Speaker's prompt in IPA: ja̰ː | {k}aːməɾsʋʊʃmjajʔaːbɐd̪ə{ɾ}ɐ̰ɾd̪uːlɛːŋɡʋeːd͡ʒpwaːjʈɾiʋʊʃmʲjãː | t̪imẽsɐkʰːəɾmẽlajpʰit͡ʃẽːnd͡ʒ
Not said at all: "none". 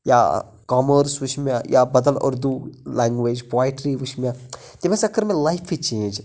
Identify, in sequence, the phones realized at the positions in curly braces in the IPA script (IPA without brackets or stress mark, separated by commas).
k, l